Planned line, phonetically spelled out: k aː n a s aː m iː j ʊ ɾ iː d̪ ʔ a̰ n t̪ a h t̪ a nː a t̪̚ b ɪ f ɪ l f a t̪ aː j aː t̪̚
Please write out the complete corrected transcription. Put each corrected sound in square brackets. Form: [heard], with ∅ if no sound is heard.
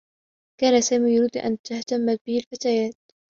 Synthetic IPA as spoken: k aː n a s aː m iː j ʊ ɾ iː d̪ ʔ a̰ n t̪ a h t̪ a [mː] a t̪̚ b ɪ [h] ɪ l f a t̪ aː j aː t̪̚